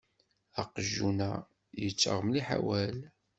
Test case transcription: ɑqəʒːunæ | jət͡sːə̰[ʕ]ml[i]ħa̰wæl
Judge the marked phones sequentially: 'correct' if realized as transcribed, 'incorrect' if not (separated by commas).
incorrect, correct